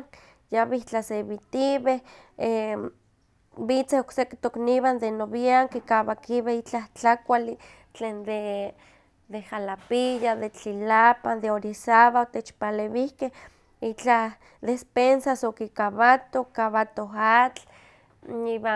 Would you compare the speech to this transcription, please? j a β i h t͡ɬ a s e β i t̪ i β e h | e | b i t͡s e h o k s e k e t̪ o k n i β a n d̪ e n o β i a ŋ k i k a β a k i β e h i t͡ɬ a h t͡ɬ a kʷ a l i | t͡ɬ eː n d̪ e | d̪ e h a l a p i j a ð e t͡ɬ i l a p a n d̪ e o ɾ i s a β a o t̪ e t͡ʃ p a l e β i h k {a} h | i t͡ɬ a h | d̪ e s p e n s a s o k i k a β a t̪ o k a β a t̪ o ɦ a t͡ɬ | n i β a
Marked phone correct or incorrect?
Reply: incorrect: e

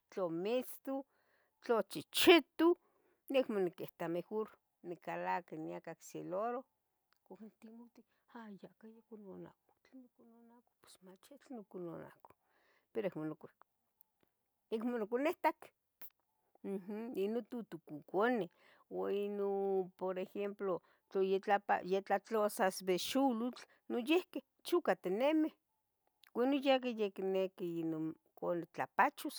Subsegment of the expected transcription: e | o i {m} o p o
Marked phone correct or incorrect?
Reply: incorrect: n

